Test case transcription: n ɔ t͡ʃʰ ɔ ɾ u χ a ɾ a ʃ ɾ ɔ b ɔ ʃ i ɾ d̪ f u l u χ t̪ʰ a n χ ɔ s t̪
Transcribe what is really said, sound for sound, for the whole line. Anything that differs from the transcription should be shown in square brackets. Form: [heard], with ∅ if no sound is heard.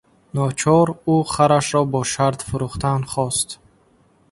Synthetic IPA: n ɔ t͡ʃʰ ɔ ɾ u χ a ɾ a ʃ ɾ ɔ b ɔ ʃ [a] ɾ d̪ f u [ɾ] u χ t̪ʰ a n χ ɔ s t̪

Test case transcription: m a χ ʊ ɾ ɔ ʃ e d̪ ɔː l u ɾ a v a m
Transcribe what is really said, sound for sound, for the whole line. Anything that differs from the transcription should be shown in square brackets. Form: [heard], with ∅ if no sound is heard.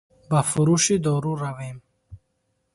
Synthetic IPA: [b] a [f] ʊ ɾ [u] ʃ [i] d̪ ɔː [ɾ] u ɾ a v [e] m

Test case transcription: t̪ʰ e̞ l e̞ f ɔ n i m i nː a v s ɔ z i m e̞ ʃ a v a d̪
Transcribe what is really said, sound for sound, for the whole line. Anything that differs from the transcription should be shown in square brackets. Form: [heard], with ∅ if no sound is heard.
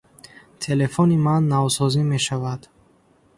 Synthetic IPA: t̪ʰ e̞ l e̞ f ɔ n i m [a] nː a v s ɔ z i m e̞ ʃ a v a d̪

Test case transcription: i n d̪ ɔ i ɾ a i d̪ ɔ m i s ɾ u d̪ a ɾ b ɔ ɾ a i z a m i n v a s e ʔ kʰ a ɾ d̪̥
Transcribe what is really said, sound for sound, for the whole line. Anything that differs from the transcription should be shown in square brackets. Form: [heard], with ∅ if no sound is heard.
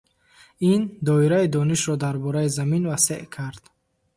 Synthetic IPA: i n d̪ ɔ i ɾ a i d̪ ɔ [n] i [ʃ] ɾ [ɔ] d̪ a ɾ b ɔ ɾ a i z a m i n v a s e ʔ kʰ a ɾ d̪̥

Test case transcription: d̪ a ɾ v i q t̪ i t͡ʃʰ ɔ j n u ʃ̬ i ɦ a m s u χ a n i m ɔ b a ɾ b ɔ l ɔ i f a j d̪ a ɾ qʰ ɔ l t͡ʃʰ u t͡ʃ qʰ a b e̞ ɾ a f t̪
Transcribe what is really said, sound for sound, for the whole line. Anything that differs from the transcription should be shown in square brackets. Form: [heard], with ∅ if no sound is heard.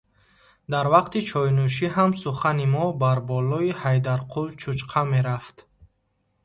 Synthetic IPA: d̪ a ɾ v [a] q t̪ i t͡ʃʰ ɔ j n u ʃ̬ i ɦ a m s u χ a n i m ɔ b a ɾ b ɔ l ɔ i [h] a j d̪ a ɾ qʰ [u] l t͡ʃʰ u t͡ʃ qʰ a [m] e̞ ɾ a f t̪

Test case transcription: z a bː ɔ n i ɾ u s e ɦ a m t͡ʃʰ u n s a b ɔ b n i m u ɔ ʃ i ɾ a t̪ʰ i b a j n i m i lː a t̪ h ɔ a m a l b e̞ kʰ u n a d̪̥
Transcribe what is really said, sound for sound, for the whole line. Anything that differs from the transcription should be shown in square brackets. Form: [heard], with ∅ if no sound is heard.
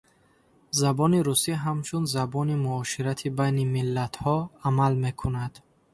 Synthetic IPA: z a [b] ɔ n i ɾ u s [i] ɦ a m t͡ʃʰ u n [z] a b ɔ [∅] n i m u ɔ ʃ i ɾ a t̪ʰ i b a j n i m i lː a t̪ h ɔ a m a l [m] e̞ kʰ u n a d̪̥

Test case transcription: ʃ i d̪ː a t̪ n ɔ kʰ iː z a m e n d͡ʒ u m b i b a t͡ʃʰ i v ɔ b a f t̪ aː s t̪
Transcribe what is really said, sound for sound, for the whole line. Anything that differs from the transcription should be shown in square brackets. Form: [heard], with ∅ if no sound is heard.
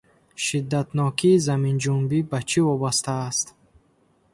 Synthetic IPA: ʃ i d̪ː a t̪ n ɔ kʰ iː z a m [i] n d͡ʒ u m b i b a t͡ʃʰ i v ɔ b a [s] t̪ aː s t̪

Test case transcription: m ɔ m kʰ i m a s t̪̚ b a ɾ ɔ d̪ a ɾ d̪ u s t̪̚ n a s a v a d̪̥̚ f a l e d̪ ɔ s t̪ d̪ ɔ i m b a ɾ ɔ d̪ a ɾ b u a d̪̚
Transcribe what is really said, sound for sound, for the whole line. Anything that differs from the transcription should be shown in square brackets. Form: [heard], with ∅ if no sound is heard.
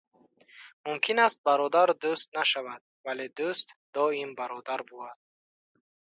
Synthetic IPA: m [u] m kʰ i [n] a s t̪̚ b a ɾ ɔ d̪ a ɾ d̪ u s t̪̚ n a [ʃ] a v a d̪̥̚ [v] a l e d̪ [u] s t̪ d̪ ɔ i m b a ɾ ɔ d̪ a ɾ b u a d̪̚

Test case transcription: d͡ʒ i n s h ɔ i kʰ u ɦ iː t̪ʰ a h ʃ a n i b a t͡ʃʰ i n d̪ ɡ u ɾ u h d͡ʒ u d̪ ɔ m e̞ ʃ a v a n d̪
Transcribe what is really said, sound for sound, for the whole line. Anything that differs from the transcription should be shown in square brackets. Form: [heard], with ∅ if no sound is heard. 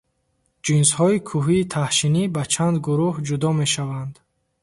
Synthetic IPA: d͡ʒ i n s h ɔ i kʰ u ɦ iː t̪ʰ a h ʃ [i] n i b a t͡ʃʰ [a] n d̪ ɡ u ɾ u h d͡ʒ u d̪ ɔ m e̞ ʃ a v a n d̪

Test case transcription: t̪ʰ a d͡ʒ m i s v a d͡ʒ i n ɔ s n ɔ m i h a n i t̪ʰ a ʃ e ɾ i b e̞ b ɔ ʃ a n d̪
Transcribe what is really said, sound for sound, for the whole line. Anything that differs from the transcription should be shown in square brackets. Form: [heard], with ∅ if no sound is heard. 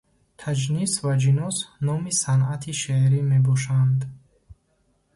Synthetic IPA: t̪ʰ a d͡ʒ [n] i s v a d͡ʒ i n ɔ s n ɔ m i [s] a n [a] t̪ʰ [i] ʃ e ɾ i [m] e̞ b ɔ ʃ a n d̪

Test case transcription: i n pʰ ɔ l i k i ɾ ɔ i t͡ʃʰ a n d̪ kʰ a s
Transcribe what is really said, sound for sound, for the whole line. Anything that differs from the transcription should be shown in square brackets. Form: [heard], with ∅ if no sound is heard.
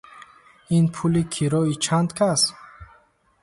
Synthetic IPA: i n pʰ [u] l i [kʰ] i ɾ ɔ i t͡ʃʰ a n d̪ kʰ a s

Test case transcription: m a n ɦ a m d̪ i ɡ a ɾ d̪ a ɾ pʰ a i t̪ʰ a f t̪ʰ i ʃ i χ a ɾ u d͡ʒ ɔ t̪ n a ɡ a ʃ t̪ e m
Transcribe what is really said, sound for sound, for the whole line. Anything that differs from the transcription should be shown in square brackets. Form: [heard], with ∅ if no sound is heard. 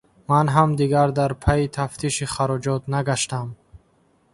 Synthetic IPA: m a n ɦ a m d̪ i ɡ a ɾ d̪ a ɾ pʰ a i t̪ʰ a f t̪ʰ i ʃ i χ a ɾ [ɔ] d͡ʒ ɔ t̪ n a ɡ a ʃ t̪ [a] m

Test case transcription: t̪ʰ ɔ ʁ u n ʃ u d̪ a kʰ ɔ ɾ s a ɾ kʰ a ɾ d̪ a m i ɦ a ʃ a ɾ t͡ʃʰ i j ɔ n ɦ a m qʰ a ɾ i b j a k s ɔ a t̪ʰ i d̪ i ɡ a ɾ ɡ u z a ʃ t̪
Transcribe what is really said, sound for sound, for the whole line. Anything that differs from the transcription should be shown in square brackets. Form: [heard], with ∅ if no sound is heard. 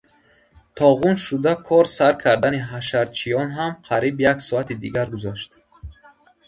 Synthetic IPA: t̪ʰ ɔ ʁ u n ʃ u d̪ a kʰ ɔ ɾ s a ɾ kʰ a ɾ d̪ a [n] i ɦ a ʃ a ɾ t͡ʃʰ i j ɔ n ɦ a m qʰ a ɾ i b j a k s ɔ a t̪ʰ i d̪ i ɡ a ɾ ɡ u z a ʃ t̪

